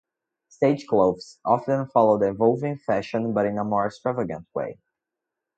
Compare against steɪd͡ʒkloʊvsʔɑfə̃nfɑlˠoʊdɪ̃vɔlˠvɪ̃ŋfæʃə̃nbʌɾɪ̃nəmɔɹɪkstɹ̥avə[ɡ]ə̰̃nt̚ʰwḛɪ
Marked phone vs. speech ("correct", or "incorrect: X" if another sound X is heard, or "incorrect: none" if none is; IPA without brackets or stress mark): correct